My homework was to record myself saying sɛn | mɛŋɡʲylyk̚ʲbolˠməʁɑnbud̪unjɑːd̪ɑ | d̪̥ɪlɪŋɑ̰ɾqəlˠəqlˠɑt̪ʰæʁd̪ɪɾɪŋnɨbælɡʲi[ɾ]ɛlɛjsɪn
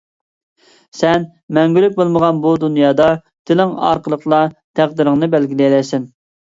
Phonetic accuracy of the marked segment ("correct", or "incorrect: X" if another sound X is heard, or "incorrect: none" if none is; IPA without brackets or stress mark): incorrect: l